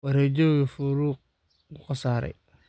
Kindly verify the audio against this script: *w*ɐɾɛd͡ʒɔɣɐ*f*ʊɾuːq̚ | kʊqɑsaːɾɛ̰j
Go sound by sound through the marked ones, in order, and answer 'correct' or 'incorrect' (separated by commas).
correct, correct